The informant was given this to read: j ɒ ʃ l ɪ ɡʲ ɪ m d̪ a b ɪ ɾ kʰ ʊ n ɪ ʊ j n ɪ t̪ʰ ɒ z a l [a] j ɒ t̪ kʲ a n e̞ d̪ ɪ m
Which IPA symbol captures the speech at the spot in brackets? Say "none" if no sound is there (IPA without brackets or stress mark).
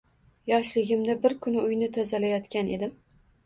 a